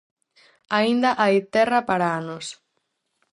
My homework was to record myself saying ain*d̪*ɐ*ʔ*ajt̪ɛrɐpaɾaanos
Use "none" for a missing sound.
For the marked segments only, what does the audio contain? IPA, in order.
d̪, ʔ

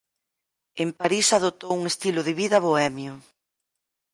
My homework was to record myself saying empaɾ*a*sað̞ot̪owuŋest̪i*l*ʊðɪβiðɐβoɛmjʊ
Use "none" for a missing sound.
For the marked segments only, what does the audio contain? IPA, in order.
i, l

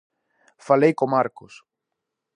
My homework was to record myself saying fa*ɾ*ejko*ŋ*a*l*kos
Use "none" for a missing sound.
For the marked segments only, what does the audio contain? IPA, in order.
l, m, ɾ

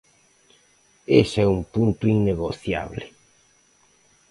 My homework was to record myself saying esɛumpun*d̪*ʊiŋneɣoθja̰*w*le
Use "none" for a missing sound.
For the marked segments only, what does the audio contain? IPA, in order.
t̪, β

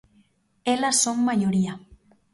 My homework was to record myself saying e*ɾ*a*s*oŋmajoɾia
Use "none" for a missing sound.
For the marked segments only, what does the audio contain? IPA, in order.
l, s

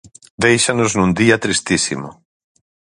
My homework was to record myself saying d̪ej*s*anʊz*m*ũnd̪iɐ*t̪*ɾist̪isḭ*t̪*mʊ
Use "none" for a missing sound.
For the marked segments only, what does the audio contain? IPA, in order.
ʃ, n, t̪, none

